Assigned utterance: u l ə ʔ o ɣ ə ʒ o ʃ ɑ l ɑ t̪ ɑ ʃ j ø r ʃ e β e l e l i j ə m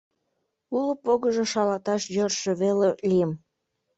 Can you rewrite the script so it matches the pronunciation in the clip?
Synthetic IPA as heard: u l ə p o ɣ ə ʒ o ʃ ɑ l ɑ t̪ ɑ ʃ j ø r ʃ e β e l e l i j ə m

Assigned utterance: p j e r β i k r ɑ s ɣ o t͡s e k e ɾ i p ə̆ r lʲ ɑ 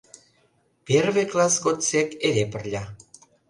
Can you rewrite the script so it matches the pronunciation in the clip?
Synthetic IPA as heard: p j e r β e k l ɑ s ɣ o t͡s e k e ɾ e p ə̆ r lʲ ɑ

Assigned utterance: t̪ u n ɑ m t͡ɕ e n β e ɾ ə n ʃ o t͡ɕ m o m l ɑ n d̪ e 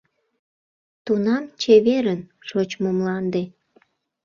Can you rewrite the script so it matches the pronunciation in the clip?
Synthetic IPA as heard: t̪ u n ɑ m t͡ɕ e β e ɾ ə n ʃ o t͡ɕ m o m l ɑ n d̪ e

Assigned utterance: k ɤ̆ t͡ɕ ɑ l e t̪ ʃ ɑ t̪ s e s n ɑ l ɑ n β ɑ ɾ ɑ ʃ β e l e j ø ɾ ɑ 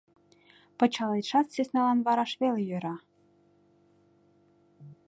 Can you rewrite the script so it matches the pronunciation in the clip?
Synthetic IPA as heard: p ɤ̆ t͡ɕ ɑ l e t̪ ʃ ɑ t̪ s e s n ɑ l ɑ n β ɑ ɾ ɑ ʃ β e l e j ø ɾ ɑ

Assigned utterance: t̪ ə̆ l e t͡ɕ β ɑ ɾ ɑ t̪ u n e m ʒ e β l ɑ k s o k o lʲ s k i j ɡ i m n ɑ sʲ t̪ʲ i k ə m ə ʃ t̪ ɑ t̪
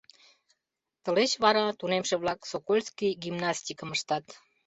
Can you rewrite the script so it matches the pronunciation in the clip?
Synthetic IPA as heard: t̪ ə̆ l e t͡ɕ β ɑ ɾ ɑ t̪ u n e m ʃ e β l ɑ k s o k o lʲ s k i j ɡ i m n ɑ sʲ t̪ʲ i k ə m ə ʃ t̪ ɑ t̪

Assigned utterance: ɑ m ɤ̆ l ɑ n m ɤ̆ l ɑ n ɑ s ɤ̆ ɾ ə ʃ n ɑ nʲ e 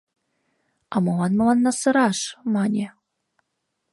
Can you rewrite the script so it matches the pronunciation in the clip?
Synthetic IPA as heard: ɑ m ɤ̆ l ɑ n m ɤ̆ l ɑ nː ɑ s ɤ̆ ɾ ɑ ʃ m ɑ nʲ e

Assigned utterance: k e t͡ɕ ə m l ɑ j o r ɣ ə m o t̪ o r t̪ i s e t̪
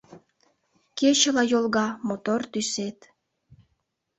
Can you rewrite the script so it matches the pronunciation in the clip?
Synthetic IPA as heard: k e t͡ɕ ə l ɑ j o l ɣ ɑ m o t̪ o r t̪ y s e t̪

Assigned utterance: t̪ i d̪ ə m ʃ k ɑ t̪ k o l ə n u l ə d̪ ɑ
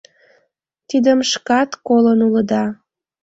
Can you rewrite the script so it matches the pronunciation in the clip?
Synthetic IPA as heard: t̪ i d̪ ə m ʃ k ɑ t̪ k o l ə n u l ə d̪ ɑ

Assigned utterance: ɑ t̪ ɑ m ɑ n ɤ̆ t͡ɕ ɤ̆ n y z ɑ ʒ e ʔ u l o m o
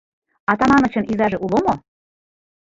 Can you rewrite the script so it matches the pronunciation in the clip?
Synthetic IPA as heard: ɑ t̪ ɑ m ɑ n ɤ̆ t͡ɕ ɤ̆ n i z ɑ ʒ e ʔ u l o m o

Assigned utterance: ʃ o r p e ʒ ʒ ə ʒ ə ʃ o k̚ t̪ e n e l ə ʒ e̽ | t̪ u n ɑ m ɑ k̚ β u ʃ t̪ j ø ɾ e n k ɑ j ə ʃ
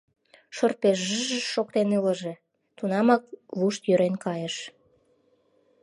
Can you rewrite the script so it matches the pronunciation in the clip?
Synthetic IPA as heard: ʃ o r p e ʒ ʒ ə ʒ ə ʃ o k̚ t̪ e n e l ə ʒ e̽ | t̪ u n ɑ m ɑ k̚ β u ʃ t̪ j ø ɾ e n k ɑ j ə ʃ

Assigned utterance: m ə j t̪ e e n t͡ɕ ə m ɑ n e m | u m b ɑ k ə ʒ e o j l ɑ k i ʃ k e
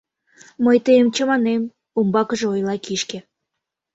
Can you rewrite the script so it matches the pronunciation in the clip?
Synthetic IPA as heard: m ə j t̪ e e m t͡ɕ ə m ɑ n e m | u m b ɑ k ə ʒ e o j l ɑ k i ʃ k e

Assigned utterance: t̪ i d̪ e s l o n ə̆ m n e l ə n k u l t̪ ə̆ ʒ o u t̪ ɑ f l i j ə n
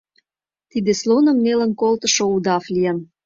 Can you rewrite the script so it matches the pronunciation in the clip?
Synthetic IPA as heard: t̪ i d̪ e s l o n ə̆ m n e l ə n k o l t̪ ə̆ ʃ o u d̪ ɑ f l i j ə n

